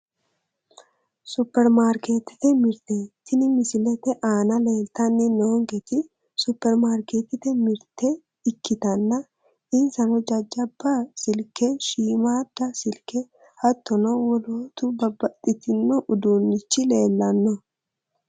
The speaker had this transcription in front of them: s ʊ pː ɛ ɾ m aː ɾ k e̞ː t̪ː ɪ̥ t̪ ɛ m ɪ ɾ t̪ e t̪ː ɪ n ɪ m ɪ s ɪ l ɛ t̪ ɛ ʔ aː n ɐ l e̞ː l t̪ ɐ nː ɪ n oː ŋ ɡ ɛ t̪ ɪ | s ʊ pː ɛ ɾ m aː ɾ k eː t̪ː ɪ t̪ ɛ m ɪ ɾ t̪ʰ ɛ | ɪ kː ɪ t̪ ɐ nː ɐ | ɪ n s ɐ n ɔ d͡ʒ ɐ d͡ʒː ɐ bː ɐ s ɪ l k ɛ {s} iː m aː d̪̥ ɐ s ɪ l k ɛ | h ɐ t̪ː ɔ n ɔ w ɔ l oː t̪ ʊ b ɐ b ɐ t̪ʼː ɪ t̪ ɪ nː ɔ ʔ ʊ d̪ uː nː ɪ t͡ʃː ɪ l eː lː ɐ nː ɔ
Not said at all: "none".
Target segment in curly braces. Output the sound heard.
ʃ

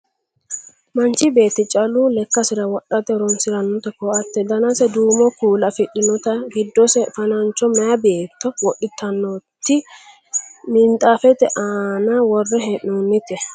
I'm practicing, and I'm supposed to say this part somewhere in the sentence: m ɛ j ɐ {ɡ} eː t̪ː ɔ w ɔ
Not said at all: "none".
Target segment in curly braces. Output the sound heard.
b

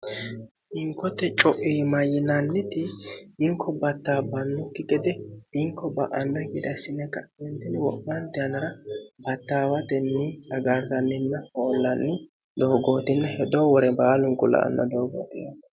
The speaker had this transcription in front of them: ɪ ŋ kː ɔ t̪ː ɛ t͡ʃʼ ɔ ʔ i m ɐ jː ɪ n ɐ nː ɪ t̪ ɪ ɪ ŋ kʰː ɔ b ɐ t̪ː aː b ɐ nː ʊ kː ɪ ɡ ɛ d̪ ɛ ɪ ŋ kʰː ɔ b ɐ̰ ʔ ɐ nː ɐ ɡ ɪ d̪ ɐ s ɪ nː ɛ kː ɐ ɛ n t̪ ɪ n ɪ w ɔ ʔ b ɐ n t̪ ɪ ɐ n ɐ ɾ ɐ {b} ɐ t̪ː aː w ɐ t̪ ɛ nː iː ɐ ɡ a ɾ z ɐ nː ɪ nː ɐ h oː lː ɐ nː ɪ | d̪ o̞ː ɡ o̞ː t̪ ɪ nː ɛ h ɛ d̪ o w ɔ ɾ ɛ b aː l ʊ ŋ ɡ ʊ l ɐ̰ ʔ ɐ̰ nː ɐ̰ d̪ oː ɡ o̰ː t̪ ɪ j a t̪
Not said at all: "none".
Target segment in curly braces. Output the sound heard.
b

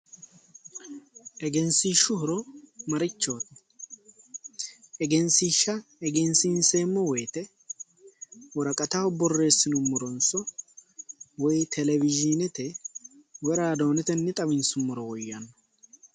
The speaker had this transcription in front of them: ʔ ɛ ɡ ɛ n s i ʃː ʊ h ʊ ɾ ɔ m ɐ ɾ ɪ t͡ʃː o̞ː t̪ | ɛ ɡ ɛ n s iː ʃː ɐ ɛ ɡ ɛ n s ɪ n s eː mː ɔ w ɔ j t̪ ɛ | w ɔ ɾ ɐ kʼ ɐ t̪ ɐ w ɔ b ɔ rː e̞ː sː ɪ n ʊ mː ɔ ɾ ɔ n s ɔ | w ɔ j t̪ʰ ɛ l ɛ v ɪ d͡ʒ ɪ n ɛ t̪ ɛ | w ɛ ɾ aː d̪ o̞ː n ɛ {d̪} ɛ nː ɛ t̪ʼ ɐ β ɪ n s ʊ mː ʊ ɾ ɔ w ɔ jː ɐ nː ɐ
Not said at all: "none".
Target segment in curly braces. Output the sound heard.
t̪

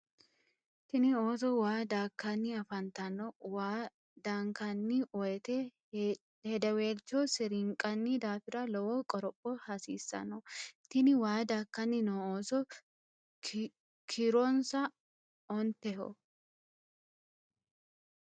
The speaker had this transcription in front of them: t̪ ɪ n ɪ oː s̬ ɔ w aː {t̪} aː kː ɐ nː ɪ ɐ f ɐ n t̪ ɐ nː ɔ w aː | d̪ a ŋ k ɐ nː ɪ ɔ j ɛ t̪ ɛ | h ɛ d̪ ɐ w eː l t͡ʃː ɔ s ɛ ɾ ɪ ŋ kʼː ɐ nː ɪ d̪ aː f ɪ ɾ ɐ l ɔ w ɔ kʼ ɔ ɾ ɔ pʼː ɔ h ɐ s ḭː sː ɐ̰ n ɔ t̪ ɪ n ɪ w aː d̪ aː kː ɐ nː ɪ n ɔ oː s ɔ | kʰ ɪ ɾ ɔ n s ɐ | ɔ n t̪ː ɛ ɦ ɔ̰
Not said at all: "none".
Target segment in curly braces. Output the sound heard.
d̪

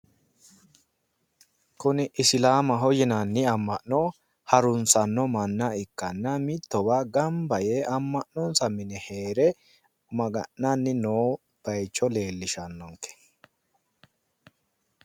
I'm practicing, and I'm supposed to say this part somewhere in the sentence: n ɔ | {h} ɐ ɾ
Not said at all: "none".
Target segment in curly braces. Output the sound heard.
h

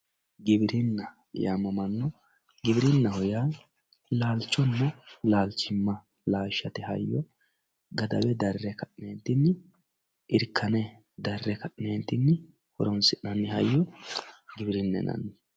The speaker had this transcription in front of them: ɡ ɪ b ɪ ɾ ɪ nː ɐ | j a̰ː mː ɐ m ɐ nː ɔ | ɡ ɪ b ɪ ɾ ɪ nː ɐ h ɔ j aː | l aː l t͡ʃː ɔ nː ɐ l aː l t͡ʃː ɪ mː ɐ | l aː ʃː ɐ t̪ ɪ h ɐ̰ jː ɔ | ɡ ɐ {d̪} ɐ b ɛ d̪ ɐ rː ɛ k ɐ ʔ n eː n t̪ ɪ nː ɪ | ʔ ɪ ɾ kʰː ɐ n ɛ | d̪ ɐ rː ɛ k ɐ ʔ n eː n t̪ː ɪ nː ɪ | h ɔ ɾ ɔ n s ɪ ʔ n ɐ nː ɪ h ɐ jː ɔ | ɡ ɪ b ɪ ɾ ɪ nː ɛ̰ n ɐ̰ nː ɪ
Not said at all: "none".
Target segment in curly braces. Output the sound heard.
d̪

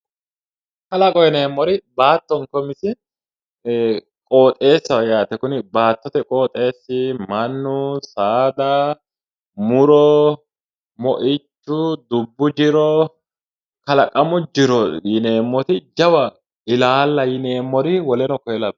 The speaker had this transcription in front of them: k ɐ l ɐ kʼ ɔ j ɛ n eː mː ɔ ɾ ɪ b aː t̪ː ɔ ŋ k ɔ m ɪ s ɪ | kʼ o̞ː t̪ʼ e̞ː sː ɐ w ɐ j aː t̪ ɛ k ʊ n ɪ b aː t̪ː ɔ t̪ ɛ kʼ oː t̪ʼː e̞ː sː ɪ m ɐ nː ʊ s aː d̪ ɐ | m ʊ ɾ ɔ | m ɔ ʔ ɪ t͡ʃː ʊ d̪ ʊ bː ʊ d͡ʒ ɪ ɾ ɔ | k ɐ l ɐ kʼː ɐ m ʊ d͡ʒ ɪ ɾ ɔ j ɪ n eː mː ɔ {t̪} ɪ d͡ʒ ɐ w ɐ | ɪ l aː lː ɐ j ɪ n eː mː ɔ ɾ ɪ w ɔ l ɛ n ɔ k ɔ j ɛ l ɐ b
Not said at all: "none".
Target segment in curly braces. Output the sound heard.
t̪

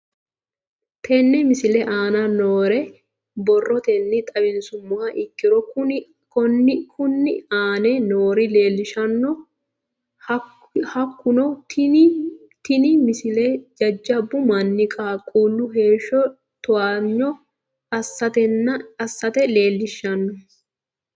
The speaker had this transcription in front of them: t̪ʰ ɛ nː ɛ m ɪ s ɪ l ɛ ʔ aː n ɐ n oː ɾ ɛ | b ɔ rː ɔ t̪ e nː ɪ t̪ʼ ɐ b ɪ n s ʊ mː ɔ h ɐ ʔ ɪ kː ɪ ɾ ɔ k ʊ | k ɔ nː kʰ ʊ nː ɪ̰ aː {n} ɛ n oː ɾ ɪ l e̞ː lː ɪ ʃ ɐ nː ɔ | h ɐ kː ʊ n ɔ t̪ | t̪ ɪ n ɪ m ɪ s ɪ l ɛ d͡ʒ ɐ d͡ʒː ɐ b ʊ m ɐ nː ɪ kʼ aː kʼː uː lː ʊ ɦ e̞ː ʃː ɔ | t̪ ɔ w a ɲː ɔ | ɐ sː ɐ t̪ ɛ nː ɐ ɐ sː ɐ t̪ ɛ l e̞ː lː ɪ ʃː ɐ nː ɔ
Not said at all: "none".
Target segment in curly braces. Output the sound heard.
n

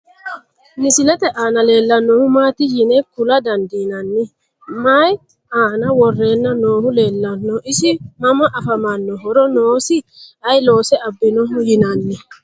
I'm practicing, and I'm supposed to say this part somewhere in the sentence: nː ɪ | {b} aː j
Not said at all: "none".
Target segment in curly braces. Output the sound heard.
m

